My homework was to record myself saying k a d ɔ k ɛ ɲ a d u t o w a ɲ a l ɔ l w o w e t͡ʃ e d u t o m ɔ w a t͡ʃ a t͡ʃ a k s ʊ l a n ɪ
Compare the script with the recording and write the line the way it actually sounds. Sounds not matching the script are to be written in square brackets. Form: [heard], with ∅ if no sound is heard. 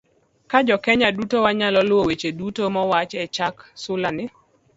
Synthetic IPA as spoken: k a [d͡ʒ] ɔ k ɛ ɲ a d u t o w a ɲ a l ɔ l w o w e t͡ʃ e d u t o m ɔ w a t͡ʃ [ɛ] t͡ʃ a k s ʊ l a n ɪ